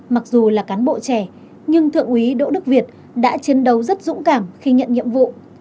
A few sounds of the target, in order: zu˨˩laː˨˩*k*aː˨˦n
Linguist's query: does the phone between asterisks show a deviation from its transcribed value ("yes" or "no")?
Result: no